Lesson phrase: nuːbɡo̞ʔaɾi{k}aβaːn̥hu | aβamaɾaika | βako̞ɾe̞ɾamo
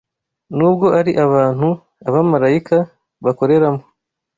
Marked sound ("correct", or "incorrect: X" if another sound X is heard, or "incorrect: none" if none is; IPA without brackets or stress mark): incorrect: ʔ